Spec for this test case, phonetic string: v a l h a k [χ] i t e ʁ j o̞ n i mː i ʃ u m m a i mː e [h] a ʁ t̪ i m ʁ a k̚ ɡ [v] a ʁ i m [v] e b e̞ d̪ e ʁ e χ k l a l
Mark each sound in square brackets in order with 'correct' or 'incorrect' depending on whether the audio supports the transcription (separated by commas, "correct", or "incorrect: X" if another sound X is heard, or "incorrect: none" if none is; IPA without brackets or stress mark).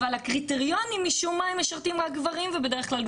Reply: incorrect: ʁ, incorrect: ʃ, correct, correct